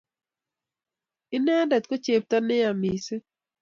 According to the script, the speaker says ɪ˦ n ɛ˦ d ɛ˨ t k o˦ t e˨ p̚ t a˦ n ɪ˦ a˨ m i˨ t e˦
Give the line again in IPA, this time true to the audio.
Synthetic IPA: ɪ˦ n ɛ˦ d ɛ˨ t k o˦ t͡ʃ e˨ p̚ t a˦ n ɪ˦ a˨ m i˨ s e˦